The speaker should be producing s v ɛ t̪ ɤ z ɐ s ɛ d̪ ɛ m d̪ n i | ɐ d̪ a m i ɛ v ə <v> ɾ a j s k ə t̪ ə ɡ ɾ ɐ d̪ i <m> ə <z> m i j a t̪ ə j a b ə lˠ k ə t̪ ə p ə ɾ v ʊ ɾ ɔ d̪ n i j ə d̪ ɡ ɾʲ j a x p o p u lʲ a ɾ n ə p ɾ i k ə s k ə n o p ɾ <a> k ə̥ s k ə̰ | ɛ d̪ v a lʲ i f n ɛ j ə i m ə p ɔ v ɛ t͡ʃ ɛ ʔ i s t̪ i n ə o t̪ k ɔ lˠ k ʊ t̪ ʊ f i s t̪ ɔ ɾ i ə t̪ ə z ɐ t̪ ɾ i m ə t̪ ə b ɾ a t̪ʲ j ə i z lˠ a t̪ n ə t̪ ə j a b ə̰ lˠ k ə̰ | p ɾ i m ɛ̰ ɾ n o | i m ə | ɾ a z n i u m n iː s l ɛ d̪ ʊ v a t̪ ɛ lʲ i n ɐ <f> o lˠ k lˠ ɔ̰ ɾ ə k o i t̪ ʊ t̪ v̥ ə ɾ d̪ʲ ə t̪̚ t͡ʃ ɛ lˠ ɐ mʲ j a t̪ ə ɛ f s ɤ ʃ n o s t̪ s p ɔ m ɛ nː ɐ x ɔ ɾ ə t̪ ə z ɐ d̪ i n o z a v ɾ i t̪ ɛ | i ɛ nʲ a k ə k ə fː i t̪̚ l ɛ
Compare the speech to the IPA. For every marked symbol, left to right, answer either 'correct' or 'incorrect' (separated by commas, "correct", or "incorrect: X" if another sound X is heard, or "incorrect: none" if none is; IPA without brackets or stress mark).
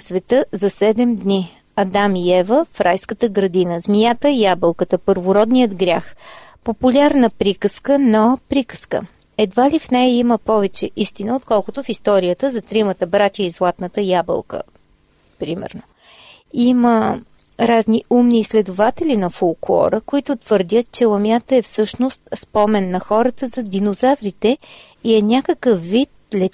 incorrect: f, incorrect: n, correct, incorrect: i, correct